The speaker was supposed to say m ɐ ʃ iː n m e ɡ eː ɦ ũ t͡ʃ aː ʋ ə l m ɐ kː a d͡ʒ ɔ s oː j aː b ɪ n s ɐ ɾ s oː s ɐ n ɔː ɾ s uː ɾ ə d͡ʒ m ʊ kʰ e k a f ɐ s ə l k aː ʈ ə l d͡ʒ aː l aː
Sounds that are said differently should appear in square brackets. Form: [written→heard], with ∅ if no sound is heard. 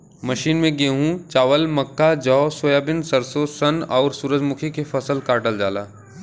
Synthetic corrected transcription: m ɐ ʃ iː n m [e→ẽ] ɡ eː ɦ ũ t͡ʃ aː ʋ ə l m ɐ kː a d͡ʒ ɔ s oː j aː b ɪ n s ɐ ɾ s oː s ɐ n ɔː ɾ s uː ɾ ə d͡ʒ m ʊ kʰ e k [a→e] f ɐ s ə l k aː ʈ ə l d͡ʒ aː l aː